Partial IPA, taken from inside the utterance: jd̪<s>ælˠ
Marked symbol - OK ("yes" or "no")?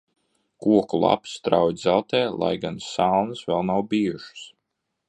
no